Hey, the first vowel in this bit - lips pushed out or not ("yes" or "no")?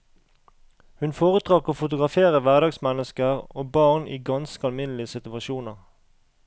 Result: yes